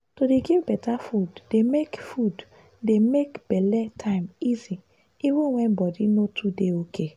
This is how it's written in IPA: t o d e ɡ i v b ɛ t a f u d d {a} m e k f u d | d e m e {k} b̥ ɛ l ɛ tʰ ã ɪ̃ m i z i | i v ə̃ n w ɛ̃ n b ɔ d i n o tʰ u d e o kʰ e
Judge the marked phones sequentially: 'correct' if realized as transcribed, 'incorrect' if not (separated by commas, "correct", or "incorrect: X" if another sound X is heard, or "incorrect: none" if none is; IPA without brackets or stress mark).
incorrect: e, correct